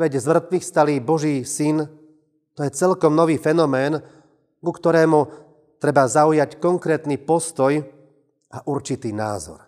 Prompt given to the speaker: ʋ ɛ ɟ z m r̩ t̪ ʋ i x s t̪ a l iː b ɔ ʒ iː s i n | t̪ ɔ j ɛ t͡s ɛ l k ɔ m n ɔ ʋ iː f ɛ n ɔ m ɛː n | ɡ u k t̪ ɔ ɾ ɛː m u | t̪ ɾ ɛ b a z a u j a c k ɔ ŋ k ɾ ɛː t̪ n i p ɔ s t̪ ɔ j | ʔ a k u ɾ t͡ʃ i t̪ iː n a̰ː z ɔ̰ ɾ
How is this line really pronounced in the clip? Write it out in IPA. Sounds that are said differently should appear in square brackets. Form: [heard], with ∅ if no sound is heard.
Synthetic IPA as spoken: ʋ ɛ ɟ z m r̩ t̪ ʋ i x s t̪ a l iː b ɔ ʒ iː s i n | t̪ ɔ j ɛ t͡s ɛ l k ɔ m n ɔ ʋ iː f ɛ n ɔ m ɛː n | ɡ u k t̪ ɔ ɾ ɛː m u | t̪ ɾ ɛ b a z a u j a c k ɔ ŋ k ɾ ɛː t̪ n i p ɔ s t̪ ɔ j | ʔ a [ʔ] u ɾ t͡ʃ i t̪ iː n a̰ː z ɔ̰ ɾ